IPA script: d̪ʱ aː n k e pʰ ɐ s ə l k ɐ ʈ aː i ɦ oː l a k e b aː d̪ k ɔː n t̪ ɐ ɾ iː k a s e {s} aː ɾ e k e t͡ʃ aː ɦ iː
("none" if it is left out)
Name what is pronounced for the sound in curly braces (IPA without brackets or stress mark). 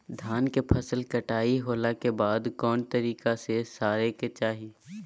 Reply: s